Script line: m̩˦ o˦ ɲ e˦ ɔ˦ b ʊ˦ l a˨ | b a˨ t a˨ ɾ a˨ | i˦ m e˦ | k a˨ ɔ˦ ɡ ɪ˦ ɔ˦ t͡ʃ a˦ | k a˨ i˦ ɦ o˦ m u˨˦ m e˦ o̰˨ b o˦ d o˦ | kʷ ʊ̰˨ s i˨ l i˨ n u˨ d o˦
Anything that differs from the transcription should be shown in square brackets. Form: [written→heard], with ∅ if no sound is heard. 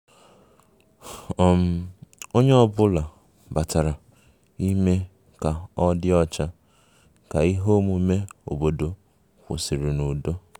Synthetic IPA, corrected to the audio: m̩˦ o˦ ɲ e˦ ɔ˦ b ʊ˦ l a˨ | b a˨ t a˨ ɾ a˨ | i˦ m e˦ | k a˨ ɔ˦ [ɡ→d] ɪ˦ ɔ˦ t͡ʃ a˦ | k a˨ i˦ ɦ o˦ m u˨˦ m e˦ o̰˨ b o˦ d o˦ | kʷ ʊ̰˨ s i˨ [l→ɾ] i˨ n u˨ d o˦